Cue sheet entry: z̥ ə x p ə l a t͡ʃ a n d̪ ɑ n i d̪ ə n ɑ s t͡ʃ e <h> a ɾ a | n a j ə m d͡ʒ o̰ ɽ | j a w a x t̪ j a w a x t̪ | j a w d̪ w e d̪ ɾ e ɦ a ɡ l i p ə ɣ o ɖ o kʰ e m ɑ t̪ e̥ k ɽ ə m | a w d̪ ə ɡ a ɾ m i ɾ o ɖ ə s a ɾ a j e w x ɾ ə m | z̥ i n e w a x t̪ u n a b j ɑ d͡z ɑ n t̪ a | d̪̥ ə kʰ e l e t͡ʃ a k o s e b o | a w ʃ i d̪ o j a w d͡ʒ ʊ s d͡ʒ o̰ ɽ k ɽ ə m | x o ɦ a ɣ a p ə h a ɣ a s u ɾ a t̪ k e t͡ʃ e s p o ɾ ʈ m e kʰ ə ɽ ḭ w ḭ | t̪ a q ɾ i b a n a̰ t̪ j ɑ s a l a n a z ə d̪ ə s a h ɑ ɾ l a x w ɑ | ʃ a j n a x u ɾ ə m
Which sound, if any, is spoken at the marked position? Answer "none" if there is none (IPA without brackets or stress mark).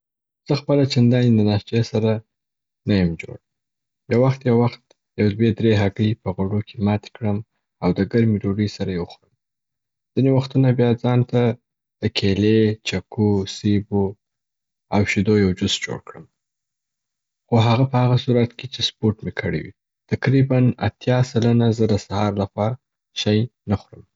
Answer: s